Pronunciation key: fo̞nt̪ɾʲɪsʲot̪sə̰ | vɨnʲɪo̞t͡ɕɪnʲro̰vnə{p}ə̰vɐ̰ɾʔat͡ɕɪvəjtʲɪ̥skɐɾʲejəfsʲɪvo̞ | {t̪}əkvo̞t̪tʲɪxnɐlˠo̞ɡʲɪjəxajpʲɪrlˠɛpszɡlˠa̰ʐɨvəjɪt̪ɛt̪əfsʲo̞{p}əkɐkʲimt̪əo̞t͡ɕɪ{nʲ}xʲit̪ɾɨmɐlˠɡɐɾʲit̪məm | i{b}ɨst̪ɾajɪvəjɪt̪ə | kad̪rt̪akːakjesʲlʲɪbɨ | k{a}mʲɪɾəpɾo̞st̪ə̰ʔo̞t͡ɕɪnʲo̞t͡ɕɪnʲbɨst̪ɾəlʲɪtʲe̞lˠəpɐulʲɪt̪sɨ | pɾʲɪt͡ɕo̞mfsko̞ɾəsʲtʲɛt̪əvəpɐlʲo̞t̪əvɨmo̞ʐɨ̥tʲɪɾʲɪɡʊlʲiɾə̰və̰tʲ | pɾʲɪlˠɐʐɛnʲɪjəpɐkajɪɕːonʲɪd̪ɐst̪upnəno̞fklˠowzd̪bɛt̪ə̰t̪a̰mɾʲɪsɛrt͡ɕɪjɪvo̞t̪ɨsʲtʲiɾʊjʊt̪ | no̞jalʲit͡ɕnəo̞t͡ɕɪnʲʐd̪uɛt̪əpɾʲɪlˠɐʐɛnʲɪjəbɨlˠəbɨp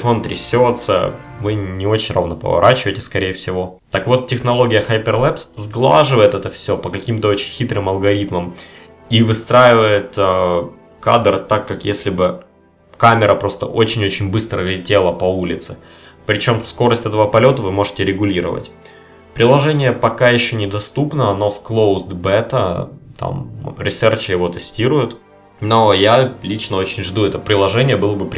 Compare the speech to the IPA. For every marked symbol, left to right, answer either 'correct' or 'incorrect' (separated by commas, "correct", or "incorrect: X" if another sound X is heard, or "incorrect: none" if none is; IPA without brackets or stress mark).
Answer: correct, correct, correct, correct, incorrect: v, correct